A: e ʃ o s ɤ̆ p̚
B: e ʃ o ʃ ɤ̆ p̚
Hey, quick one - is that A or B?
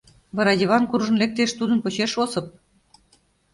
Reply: A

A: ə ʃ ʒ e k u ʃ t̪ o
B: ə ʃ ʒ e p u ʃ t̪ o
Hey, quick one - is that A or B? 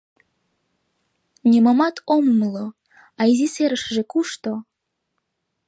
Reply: A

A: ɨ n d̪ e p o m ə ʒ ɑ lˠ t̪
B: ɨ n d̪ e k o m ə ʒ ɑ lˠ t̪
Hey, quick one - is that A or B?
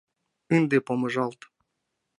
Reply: A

